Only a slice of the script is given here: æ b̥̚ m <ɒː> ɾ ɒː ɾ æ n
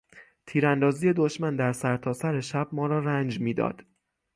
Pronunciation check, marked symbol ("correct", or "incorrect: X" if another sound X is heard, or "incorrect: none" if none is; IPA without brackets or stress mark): correct